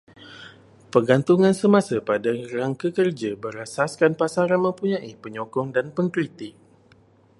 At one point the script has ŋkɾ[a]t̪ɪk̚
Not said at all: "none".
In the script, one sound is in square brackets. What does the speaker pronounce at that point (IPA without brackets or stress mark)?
i